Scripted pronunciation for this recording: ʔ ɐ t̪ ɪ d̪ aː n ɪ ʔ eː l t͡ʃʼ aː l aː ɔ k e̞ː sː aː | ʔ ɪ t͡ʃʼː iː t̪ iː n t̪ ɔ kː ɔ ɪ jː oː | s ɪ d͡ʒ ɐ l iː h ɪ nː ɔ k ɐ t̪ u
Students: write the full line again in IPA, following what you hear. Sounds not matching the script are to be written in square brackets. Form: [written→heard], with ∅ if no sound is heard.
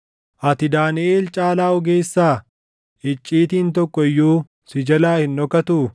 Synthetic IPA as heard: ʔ ɐ t̪ ɪ d̪ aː n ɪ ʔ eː l t͡ʃʼ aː l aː ɔ [k→ɡ] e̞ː sː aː | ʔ ɪ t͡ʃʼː iː t̪ iː n t̪ ɔ kː ɔ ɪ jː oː | s ɪ d͡ʒ ɐ l [iː→aː] h ɪ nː ɔ k ɐ t̪ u